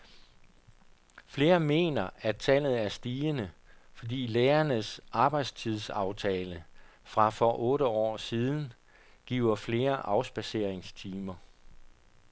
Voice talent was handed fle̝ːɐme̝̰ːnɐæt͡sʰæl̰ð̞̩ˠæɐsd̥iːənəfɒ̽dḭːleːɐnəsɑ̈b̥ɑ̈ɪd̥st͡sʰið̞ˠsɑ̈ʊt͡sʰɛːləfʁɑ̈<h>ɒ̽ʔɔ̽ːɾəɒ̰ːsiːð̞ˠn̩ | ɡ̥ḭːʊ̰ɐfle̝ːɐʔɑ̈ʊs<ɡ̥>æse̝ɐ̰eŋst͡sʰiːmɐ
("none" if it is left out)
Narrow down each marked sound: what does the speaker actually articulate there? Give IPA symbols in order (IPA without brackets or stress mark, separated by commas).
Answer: f, b̥